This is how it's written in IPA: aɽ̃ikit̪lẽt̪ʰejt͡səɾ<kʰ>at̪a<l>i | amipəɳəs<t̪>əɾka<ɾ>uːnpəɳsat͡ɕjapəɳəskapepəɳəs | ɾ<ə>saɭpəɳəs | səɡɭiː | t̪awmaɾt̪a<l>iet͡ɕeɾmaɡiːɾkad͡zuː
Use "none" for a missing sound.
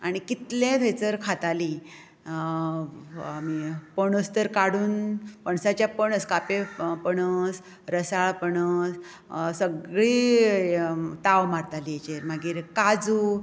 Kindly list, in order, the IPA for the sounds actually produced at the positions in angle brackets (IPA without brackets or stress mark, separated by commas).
kʰ, l, t̪, ɽ, ə, l